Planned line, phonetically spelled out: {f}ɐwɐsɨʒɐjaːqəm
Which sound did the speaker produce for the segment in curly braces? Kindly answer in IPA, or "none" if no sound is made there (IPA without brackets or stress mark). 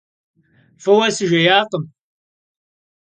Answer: f